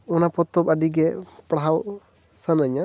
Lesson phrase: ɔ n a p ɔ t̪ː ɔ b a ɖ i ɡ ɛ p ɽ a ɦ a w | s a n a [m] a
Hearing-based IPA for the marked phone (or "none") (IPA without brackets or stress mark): ɲ